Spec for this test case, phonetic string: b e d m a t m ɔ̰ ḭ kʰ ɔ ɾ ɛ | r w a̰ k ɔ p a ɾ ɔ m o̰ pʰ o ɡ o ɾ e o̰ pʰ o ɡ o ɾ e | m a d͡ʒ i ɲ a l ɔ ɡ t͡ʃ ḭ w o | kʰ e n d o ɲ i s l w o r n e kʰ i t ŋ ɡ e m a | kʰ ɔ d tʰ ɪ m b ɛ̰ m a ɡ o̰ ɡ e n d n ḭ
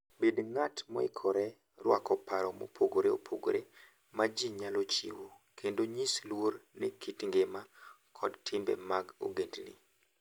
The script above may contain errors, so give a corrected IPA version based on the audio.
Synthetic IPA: b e d ŋ a t m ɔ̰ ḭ kʰ ɔ ɾ ɛ | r w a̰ k ɔ p a ɾ ɔ m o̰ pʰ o ɡ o ɾ e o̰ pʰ o ɡ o ɾ e | m a d͡ʒ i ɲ a l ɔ t͡ʃ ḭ w o | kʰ e n d o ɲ i s l w o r n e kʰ i t ŋ ɡ e m a | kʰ ɔ d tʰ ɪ m b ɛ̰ m a ɡ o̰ ɡ e n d n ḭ

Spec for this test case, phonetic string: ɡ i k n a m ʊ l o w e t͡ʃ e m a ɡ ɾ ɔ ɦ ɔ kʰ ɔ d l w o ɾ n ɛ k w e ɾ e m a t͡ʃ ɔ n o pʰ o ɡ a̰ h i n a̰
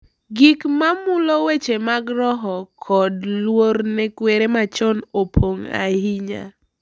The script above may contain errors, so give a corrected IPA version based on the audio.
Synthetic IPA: ɡ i k m a m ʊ l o w e t͡ʃ e m a ɡ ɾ ɔ ɦ ɔ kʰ ɔ d l w o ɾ n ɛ k w e ɾ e m a t͡ʃ ɔ n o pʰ o ŋ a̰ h i ɲ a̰

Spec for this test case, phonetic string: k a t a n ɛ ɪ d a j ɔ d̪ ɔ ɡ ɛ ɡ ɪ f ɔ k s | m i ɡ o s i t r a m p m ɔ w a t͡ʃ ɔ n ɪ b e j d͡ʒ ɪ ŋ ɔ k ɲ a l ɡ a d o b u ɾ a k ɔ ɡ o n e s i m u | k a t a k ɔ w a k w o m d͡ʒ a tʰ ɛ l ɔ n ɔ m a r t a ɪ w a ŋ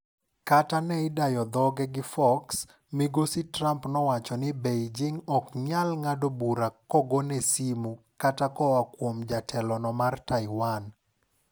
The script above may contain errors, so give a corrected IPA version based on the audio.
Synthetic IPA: k a t a n ɛ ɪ d a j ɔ d̪ ɔ ɡ ɛ ɡ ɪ f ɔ k s | m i ɡ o s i t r a m p n ɔ w a t͡ʃ ɔ n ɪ b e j d͡ʒ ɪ ŋ ɔ k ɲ a l ŋ a d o b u ɾ a k ɔ ɡ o n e s i m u | k a t a k ɔ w a k w o m d͡ʒ a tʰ ɛ l ɔ n ɔ m a r t a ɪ w a n

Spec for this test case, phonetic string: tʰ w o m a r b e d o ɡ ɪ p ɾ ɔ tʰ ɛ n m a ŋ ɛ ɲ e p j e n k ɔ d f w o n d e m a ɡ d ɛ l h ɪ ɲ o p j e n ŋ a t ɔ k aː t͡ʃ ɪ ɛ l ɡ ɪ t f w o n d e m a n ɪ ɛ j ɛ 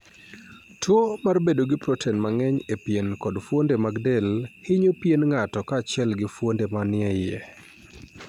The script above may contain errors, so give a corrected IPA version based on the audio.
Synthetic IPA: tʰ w o m a r b e d o ɡ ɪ p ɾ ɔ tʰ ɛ n m a ŋ ɛ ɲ e p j e n k ɔ d f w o n d e m a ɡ d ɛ l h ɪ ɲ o p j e n ŋ a t ɔ k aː t͡ʃ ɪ ɛ l ɡ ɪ f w o n d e m a n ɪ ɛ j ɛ

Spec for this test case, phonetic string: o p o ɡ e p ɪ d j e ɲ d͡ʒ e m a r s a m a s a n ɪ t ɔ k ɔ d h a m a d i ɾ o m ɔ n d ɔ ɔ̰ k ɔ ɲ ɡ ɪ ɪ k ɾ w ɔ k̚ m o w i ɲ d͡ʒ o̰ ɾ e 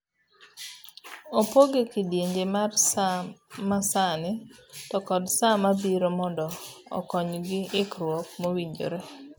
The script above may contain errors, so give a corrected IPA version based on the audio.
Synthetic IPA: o p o ɡ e k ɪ d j e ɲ d͡ʒ e m a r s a m a s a n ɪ t ɔ k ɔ d s a m a b i ɾ o m ɔ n d ɔ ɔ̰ k ɔ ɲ ɡ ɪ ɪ k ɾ w ɔ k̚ m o w i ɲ d͡ʒ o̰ ɾ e

